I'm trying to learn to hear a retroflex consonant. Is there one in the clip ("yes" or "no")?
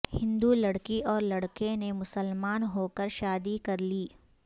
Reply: yes